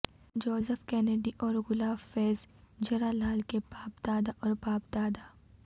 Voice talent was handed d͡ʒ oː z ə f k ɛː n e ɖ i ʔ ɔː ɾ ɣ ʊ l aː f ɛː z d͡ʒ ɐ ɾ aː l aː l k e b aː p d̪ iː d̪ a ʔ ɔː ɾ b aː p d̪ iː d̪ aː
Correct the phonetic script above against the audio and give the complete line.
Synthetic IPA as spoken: d͡ʒ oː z ə f k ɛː n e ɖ i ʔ ɔː ɾ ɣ ʊ l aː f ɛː z d͡ʒ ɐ ɾ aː l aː l k e b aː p d̪ aː d̪ a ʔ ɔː ɾ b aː p d̪ aː d̪ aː